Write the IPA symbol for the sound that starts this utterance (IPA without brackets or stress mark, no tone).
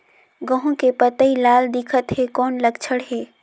ɡ